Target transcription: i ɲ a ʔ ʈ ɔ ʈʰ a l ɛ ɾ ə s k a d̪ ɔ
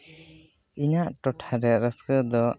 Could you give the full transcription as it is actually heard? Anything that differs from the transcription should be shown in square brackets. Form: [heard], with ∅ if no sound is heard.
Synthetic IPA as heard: i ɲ a ʔ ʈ ɔ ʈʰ a [ɾ] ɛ ɾ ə s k [ə] d̪ ɔ